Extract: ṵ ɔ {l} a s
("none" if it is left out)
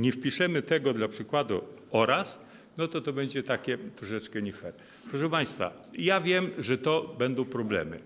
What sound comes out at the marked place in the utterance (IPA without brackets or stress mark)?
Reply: ɾ